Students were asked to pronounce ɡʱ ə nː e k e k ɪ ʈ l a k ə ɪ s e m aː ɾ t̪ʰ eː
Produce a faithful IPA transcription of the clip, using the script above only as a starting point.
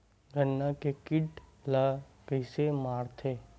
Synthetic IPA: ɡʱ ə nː a k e k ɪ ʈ l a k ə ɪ s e m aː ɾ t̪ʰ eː

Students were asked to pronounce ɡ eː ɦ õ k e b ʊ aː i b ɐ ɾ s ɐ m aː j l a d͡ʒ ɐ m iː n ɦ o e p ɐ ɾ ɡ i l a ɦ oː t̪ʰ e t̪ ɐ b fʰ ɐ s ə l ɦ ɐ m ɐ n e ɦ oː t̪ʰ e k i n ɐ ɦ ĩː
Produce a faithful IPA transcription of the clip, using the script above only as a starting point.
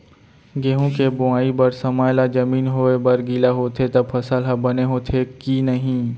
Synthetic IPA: ɡ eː ɦ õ k e b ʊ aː i b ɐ ɾ s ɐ m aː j l a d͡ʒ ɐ m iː n ɦ o e b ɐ ɾ ɡ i l a ɦ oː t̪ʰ e t̪ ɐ b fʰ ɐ s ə l ɦ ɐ b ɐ n e ɦ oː t̪ʰ e k i n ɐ ɦ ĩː

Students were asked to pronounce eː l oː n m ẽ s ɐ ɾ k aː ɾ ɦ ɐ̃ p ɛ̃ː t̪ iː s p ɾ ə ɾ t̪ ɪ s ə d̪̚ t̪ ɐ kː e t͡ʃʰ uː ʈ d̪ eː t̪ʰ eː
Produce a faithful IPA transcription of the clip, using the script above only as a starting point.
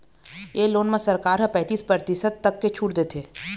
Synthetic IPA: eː l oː n m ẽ s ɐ ɾ k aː ɾ ɦ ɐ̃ p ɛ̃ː t̪ iː s p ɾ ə ɾ t̪ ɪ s ə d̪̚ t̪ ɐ kː e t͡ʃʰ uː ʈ d̪ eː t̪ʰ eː

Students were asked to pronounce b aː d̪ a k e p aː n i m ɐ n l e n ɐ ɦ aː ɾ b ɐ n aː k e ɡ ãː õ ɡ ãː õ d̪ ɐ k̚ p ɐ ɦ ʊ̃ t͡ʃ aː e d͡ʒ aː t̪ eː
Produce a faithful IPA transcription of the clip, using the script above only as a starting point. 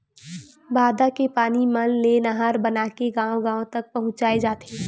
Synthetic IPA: b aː d̪ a k e p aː n i m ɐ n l e n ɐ ɦ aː ɾ b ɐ n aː k e ɡ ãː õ ɡ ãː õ t̪ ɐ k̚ p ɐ ɦ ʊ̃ t͡ʃ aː e d͡ʒ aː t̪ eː

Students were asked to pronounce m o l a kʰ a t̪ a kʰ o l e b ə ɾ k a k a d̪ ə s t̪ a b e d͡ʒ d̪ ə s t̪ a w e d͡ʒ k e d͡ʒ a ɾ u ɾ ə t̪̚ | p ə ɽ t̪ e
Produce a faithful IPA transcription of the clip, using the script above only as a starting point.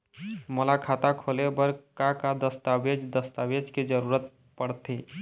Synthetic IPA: m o l a kʰ a t̪ a kʰ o l e b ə ɾ k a k a d̪ ə s t̪ a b e d͡ʒ d̪ ə s t̪ a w e d͡ʒ k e d͡ʒ ə ɾ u ɾ ə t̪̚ | p ə ɽ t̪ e

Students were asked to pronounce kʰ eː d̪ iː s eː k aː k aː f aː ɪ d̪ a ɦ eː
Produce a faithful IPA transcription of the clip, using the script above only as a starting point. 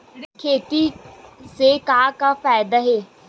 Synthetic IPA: kʰ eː t̪ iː s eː k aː k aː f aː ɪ d̪ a ɦ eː

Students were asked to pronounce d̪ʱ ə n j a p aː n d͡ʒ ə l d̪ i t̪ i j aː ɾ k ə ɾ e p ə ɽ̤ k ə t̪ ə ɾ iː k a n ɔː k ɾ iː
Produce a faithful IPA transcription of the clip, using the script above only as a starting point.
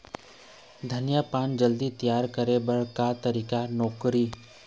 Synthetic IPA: d̪ʱ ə n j a p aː n d͡ʒ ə l d̪ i t̪ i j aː ɾ k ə ɾ e b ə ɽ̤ k a t̪ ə ɾ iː k a n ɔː k ɾ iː

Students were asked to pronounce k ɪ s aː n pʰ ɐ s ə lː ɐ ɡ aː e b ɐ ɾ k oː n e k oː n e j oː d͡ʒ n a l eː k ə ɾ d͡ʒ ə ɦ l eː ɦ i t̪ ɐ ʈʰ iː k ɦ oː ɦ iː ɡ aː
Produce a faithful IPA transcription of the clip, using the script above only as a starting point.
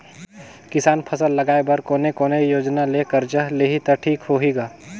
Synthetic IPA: k ɪ s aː n pʰ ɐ s ə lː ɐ ɡ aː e b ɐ ɾ k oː n e k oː n e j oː d͡ʒ n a l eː k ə ɾ d͡ʒ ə ɦ l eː ɦ i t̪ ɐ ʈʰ iː k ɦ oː ɦ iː ɡ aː

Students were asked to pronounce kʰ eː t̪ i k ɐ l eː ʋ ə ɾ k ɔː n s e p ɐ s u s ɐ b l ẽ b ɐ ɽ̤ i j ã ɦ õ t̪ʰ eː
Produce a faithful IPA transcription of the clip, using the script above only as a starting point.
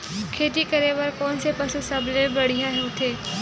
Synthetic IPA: kʰ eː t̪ i k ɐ ɾ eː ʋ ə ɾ k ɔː n s e p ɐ s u s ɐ b l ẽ b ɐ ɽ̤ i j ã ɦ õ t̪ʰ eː

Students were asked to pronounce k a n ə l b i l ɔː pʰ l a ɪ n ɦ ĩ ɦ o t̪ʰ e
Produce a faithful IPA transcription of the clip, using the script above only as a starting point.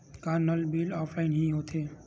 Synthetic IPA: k a n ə l b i l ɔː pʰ l a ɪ n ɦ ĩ ɦ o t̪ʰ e

